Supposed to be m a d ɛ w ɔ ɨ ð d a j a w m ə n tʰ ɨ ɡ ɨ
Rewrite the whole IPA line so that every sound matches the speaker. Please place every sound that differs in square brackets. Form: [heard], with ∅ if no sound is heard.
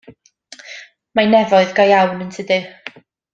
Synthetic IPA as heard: m a [n] ɛ [v] ɔ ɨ ð [ɡ] a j a w [n] ə n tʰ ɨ [d] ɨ